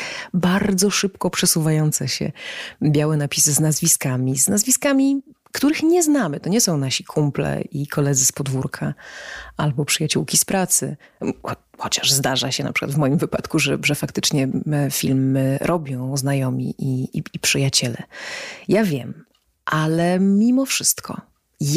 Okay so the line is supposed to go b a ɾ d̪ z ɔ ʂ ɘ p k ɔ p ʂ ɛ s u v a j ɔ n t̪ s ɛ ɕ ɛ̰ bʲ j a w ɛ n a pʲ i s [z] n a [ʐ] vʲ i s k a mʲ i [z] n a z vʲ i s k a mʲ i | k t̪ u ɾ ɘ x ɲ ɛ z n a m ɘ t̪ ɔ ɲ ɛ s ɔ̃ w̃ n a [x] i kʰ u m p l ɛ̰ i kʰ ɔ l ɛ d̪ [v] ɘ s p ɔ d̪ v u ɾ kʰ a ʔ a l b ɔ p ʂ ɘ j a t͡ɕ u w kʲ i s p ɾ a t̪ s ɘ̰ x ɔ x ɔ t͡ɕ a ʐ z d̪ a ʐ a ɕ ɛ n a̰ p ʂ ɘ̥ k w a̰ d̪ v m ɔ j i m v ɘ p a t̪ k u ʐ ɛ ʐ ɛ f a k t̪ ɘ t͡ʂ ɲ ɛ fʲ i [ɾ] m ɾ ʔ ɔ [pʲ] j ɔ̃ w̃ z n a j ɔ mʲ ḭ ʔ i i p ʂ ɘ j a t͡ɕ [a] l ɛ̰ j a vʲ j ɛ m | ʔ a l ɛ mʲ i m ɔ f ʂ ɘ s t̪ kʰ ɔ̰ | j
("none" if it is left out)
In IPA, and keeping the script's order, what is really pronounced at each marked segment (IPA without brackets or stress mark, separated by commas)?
z, z, z, ɕ, z, l, bʲ, ɛ